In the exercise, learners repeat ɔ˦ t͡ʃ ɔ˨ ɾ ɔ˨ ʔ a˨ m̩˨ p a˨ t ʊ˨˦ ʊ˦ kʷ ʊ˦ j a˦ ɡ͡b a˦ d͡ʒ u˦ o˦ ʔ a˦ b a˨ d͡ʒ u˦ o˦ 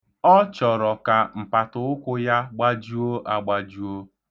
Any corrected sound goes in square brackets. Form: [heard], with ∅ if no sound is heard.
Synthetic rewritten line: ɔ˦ t͡ʃ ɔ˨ ɾ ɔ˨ [k] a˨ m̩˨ p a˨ t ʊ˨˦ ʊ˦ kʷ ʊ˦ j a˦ ɡ͡b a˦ d͡ʒ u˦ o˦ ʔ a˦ [ɡ͡b] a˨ d͡ʒ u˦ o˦

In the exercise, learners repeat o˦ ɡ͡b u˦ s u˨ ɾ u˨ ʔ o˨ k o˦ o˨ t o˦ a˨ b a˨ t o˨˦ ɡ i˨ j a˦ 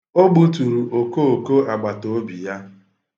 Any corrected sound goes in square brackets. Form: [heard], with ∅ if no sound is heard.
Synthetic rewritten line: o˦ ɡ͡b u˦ [t] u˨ ɾ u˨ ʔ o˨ k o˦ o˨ [k] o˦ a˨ [ɡ͡b] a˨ t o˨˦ [b] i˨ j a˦

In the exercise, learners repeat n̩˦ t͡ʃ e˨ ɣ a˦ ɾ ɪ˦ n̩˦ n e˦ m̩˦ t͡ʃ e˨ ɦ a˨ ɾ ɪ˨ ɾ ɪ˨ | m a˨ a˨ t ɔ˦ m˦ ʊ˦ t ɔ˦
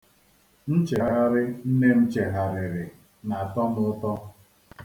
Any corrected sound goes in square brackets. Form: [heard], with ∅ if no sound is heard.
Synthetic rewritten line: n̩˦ t͡ʃ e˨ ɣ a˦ ɾ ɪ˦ n̩˦ n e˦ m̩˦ t͡ʃ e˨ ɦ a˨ ɾ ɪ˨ ɾ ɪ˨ | [n] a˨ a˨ t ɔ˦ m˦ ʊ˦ t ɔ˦

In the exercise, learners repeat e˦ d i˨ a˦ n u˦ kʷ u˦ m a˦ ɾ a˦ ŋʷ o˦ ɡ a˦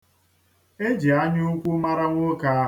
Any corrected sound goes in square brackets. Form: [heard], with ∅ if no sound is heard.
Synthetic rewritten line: e˦ [d͡ʒ] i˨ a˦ [ɲ] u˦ kʷ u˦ m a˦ ɾ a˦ ŋʷ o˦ [k] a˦

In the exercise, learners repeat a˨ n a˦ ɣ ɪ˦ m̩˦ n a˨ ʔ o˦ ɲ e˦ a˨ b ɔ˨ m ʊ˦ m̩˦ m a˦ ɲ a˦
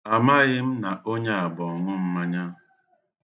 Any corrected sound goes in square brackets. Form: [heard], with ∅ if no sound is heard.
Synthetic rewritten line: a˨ [m] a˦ ɣ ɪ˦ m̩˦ n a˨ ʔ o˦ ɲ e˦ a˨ b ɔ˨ [ŋ] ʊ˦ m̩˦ m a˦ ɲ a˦

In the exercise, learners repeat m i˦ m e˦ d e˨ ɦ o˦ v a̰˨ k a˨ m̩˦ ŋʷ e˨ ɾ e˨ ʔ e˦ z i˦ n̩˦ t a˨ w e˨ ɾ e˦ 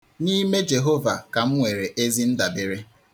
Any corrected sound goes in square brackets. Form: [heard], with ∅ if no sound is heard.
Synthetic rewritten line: [n] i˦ m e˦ [d͡ʒ] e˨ ɦ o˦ v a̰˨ k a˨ m̩˦ ŋʷ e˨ ɾ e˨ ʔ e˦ z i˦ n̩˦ [d] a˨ [b] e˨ ɾ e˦

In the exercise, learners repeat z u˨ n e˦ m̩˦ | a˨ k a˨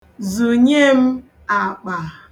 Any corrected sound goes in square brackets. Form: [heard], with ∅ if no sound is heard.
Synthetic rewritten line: z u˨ [ɲ] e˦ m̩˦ | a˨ [k͡p] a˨

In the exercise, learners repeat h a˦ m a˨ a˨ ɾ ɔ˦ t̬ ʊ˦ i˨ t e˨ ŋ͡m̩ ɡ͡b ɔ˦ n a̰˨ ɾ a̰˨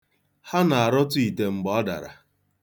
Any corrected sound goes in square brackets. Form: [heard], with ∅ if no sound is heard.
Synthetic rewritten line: h a˦ [n] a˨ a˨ ɾ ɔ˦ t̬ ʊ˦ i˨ t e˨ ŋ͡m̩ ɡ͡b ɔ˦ [d] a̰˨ ɾ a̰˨

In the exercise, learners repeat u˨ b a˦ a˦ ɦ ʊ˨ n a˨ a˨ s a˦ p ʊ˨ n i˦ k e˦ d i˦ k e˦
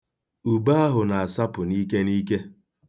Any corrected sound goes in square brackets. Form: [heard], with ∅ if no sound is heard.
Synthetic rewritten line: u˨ b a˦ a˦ ɦ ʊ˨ n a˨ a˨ s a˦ p ʊ˨ n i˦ k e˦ [n] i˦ k e˦

